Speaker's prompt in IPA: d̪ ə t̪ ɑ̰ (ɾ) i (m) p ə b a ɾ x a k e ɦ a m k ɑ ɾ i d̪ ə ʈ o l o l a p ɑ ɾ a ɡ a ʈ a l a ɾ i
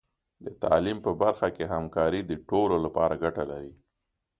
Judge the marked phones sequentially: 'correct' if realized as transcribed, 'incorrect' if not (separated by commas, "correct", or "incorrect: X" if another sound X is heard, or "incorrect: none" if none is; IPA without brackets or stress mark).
incorrect: l, correct